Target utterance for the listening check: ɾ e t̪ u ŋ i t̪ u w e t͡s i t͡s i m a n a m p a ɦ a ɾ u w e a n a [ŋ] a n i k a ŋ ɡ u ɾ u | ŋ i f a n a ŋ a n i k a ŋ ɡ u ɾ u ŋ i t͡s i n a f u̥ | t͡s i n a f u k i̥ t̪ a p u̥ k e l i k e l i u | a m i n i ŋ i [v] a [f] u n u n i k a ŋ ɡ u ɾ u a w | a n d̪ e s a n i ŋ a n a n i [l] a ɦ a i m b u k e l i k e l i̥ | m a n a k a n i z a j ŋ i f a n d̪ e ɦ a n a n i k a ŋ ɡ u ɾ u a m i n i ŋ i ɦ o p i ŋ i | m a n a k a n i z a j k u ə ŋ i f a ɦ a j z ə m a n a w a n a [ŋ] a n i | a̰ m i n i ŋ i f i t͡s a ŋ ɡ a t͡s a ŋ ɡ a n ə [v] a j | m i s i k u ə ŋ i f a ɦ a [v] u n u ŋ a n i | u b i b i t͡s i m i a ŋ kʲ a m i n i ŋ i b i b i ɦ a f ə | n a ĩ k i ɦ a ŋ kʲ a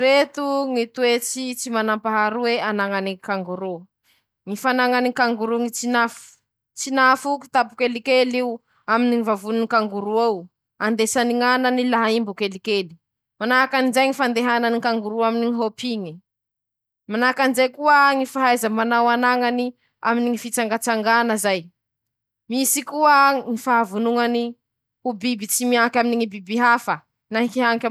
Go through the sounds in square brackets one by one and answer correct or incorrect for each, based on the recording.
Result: correct, correct, incorrect: v, correct, correct, incorrect: z, correct

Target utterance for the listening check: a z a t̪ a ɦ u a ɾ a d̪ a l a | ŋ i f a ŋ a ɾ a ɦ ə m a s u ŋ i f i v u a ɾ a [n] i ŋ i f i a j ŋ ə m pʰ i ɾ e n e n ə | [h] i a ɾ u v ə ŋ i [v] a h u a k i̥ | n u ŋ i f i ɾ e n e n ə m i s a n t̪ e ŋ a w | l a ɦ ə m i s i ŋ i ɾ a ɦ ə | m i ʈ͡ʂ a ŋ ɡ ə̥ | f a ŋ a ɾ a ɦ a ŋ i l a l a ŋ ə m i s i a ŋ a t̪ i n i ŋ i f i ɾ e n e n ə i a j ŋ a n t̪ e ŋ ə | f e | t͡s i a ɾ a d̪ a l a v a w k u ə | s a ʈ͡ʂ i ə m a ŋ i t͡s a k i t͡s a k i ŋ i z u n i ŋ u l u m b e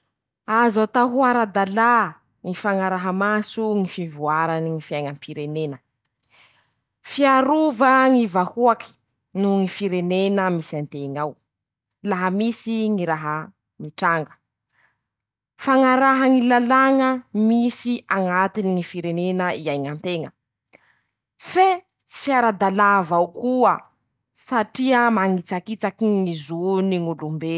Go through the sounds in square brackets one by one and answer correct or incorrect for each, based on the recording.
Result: correct, incorrect: f, correct

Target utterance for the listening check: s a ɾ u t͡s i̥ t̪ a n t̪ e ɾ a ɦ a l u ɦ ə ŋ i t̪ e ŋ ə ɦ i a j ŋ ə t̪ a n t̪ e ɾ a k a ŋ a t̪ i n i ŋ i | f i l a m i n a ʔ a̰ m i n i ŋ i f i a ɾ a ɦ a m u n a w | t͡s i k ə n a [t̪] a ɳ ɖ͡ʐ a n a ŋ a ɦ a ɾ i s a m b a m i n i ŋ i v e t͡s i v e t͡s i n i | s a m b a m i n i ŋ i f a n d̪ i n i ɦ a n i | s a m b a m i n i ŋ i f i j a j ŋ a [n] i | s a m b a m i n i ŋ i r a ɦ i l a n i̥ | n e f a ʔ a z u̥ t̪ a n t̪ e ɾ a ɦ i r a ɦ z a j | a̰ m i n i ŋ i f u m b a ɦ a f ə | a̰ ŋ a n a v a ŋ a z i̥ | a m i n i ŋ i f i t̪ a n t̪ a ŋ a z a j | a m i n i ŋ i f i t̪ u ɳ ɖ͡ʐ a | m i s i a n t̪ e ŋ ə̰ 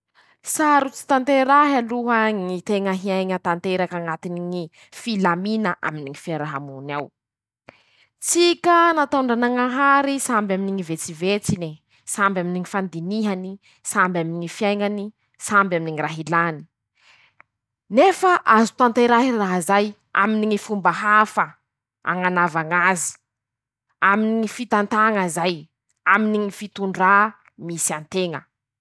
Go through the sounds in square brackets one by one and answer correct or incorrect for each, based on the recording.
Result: correct, correct

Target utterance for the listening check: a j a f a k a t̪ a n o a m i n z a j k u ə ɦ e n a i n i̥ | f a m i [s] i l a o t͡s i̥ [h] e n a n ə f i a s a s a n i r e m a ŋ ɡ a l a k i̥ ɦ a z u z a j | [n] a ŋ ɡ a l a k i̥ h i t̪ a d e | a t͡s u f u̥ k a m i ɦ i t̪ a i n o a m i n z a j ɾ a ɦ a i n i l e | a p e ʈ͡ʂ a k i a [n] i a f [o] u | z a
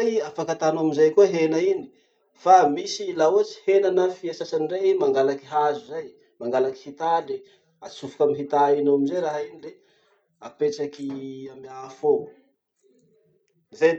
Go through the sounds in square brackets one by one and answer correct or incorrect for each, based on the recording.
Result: correct, correct, incorrect: m, incorrect: m, correct

